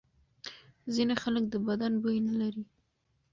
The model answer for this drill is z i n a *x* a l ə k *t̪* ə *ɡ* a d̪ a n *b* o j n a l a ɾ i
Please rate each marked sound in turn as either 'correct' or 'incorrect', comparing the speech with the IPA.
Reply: correct, incorrect, incorrect, correct

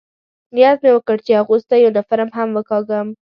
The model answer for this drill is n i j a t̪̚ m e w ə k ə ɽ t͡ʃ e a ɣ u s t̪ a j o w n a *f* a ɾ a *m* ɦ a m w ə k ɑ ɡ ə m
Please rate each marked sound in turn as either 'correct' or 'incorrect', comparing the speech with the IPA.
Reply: correct, correct

